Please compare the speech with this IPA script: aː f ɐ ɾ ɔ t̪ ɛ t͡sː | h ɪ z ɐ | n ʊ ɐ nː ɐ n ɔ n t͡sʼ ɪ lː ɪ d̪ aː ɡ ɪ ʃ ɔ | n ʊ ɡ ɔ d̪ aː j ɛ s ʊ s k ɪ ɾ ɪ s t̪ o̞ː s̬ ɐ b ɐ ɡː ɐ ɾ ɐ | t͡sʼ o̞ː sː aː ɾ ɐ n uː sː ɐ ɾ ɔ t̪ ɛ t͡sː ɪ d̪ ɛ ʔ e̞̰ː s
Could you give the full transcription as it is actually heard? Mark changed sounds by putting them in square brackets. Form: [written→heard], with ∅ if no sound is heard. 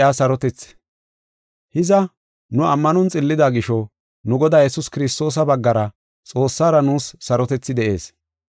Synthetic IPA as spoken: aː [f→s] ɐ ɾ ɔ t̪ ɛ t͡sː | h ɪ z ɐ | n ʊ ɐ [nː→mː] ɐ n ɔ n t͡sʼ ɪ lː ɪ d̪ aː ɡ ɪ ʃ ɔ | n ʊ ɡ ɔ d̪ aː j ɛ s ʊ s k ɪ ɾ ɪ s t̪ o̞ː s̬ ɐ b ɐ ɡː ɐ ɾ ɐ | t͡sʼ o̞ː sː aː ɾ ɐ n uː sː ɐ ɾ ɔ t̪ ɛ t͡sː ɪ d̪ ɛ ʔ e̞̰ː s

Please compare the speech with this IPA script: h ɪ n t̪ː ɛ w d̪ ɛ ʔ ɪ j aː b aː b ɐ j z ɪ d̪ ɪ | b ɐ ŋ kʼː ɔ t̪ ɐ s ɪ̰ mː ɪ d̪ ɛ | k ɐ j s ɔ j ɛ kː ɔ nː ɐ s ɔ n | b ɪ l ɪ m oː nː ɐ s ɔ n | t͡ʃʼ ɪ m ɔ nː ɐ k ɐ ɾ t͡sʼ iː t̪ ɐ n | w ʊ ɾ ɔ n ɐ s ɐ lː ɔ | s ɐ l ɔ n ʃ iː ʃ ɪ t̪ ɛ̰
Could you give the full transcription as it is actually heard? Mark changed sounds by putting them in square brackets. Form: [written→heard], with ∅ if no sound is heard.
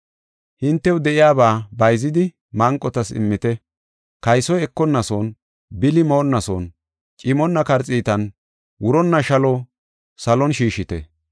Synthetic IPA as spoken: h ɪ n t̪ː ɛ w d̪ ɛ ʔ ɪ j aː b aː b ɐ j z ɪ d̪ ɪ | [b→m] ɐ ŋ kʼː ɔ t̪ ɐ s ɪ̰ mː ɪ [d̪→t̪] ɛ | k ɐ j s ɔ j ɛ kː ɔ nː ɐ s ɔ n | b ɪ l ɪ m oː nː ɐ s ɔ n | t͡ʃʼ ɪ m ɔ nː ɐ k ɐ ɾ t͡sʼ iː t̪ ɐ n | w ʊ ɾ ɔ [n→nː] ɐ [s→ʃ] ɐ [lː→l] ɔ | s ɐ l ɔ n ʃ iː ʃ ɪ t̪ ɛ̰

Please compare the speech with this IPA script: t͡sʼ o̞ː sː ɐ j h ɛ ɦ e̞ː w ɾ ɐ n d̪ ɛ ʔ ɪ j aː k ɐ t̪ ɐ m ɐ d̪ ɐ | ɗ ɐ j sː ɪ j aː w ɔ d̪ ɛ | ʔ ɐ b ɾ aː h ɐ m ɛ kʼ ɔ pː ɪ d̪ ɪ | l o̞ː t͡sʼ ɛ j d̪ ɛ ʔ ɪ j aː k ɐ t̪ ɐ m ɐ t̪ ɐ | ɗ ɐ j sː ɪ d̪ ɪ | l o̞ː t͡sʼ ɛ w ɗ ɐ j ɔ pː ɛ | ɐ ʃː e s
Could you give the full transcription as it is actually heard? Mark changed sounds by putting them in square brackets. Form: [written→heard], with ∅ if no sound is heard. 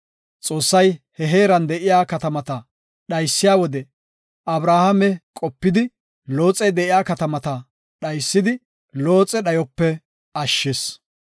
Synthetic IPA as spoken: t͡sʼ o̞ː sː ɐ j h ɛ ɦ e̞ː [w→∅] ɾ ɐ n d̪ ɛ ʔ ɪ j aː k ɐ t̪ ɐ m ɐ [d̪→t̪] ɐ | ɗ ɐ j sː ɪ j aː w ɔ d̪ ɛ | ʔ ɐ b ɾ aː h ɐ m ɛ kʼ ɔ pː ɪ d̪ ɪ | l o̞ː t͡sʼ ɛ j d̪ ɛ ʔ ɪ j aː k ɐ t̪ ɐ m ɐ t̪ ɐ | ɗ ɐ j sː ɪ d̪ ɪ | l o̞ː t͡sʼ ɛ [w→∅] ɗ ɐ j ɔ pː ɛ | ɐ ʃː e s

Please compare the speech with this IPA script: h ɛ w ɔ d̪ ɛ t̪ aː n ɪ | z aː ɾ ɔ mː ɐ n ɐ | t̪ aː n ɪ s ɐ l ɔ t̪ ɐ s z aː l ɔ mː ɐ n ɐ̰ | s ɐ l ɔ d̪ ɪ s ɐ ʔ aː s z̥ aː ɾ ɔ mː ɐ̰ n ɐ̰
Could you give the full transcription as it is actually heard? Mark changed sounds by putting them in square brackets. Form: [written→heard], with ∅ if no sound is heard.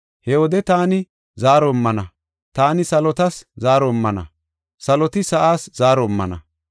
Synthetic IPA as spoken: h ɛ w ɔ d̪ ɛ t̪ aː n ɪ | z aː ɾ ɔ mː ɐ n ɐ | t̪ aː n ɪ s ɐ l ɔ t̪ ɐ s z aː [l→ɾ] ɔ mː ɐ n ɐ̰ | s ɐ l ɔ [d̪→t̪] ɪ s ɐ ʔ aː s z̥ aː ɾ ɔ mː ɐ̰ n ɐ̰

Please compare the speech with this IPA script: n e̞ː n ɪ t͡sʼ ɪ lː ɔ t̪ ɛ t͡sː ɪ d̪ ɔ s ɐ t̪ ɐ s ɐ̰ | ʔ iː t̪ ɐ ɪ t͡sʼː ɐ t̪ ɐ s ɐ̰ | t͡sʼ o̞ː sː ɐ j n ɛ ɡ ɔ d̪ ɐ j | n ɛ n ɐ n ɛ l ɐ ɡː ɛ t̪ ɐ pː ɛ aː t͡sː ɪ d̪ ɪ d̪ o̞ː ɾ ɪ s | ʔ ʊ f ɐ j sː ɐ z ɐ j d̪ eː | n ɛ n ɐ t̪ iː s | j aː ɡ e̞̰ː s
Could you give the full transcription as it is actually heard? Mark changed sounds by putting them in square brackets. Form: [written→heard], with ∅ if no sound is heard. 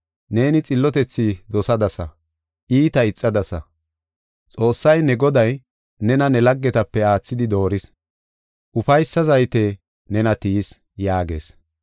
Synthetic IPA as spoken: n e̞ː n ɪ t͡sʼ ɪ lː ɔ t̪ ɛ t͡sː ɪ d̪ ɔ s ɐ [t̪→d̪] ɐ s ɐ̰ | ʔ iː t̪ ɐ ɪ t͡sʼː ɐ [t̪→d̪] ɐ s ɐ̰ | t͡sʼ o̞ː sː ɐ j n ɛ ɡ ɔ d̪ ɐ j | n ɛ n ɐ n ɛ l ɐ ɡː ɛ t̪ ɐ pː ɛ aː t͡sː ɪ d̪ ɪ d̪ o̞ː ɾ ɪ s | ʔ ʊ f ɐ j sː ɐ z ɐ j [d̪→t̪] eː | n ɛ n ɐ t̪ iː s | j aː ɡ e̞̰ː s

